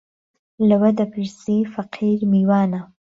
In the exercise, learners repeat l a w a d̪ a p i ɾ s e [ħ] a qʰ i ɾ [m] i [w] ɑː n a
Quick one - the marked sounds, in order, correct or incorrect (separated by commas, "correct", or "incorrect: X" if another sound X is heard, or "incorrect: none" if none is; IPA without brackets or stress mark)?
incorrect: f, correct, correct